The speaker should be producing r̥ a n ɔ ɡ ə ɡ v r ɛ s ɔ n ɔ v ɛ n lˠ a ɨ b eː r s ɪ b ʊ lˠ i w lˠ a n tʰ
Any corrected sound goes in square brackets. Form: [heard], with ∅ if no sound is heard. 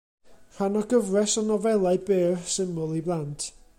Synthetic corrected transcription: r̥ a n ɔ ɡ ə [∅] v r ɛ s ɔ n ɔ v ɛ [∅] lˠ a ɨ b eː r s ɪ [m] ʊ lˠ i [b] lˠ a n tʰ